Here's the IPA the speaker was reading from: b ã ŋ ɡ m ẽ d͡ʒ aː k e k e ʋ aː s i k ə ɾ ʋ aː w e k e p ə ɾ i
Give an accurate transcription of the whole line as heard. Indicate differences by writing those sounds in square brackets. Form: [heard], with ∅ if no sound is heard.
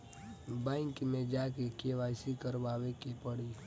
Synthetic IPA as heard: b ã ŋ [k] m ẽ d͡ʒ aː k e k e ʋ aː s i k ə ɾ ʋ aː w e k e p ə [ɽ] i